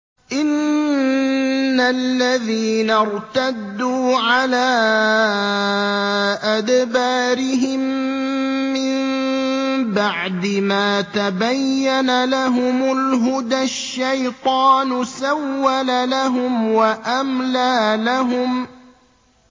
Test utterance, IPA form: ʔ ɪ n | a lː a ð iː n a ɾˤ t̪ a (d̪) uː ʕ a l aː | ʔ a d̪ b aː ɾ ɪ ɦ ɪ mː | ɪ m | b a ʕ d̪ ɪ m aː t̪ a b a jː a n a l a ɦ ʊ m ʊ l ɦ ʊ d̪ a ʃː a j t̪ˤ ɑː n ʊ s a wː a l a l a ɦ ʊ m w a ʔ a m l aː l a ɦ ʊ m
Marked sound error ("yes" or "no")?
yes